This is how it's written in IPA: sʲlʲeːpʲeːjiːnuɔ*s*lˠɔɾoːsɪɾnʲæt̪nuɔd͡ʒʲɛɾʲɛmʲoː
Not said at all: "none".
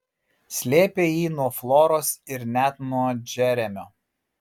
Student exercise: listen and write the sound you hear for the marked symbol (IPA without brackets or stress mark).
f